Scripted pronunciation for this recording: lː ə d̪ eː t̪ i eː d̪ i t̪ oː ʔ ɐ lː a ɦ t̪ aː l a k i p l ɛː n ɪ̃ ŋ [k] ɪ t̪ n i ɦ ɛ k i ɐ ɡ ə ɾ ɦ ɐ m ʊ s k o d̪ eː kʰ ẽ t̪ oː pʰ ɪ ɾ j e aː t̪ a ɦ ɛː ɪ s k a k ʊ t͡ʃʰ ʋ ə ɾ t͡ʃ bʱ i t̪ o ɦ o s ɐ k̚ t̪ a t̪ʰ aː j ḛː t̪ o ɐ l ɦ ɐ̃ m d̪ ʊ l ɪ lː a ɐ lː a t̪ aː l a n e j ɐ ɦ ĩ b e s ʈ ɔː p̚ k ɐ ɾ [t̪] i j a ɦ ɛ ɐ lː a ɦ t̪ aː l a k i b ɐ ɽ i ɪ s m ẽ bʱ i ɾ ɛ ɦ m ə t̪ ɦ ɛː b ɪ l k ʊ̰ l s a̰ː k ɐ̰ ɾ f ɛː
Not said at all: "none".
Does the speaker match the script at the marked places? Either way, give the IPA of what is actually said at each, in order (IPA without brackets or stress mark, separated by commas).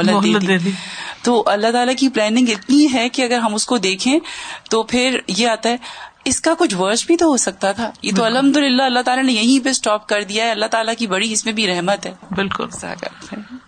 ɡ, d̪